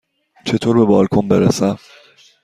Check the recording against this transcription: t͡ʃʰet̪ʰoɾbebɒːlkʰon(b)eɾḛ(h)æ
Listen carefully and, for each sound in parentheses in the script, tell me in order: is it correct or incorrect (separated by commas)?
correct, incorrect